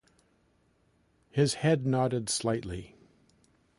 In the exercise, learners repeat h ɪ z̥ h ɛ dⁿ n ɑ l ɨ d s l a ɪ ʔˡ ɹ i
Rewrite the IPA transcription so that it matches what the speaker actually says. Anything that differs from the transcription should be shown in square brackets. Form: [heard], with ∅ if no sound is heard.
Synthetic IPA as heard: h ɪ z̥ h ɛ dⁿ n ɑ [ɾ] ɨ d s l a ɪ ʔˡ [l] i